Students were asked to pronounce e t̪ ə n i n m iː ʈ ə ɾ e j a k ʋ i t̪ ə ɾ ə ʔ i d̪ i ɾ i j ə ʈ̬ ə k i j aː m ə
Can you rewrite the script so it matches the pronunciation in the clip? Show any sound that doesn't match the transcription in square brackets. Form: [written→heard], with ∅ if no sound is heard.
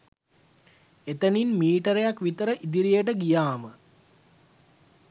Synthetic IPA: e t̪ ə n i n m iː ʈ ə ɾ e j a k ʋ i t̪ ə ɾ ə ʔ i d̪ i ɾ i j ə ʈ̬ ə [k→ɡ] i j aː m ə